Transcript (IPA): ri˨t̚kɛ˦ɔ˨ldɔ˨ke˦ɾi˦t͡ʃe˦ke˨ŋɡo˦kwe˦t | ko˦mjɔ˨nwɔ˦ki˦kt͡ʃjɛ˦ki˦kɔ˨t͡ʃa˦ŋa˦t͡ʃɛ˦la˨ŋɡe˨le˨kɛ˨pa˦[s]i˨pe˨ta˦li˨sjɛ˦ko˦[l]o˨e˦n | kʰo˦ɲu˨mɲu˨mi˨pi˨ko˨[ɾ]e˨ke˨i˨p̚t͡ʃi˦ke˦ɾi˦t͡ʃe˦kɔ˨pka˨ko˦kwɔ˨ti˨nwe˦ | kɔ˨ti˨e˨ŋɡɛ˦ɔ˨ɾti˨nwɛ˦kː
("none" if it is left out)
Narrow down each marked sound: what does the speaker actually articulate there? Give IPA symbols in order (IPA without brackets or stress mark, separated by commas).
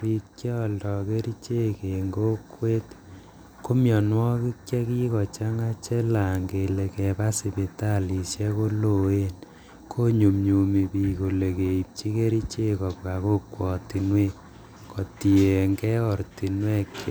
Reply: s, l, l